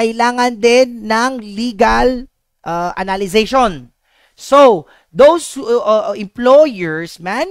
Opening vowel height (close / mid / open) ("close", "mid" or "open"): open